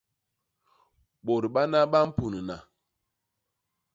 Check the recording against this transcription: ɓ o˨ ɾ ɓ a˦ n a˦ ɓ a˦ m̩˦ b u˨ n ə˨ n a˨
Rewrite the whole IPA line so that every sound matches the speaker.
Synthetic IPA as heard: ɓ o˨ ɾ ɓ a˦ n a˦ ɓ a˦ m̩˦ p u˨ n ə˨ n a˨